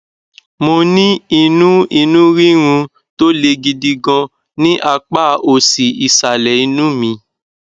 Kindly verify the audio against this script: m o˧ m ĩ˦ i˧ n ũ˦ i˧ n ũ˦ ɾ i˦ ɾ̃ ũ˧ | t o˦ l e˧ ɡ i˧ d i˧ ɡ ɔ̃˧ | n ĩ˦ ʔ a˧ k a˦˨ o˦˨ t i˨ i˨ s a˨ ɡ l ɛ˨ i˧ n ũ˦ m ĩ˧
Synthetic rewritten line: m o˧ n ĩ˦ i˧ n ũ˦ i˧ n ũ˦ ɾ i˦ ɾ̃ ũ˧ | t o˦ l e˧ ɡ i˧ d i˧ ɡ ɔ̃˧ | n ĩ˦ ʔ a˧ k͡p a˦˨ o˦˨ s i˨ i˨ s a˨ l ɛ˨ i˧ n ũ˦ m ĩ˧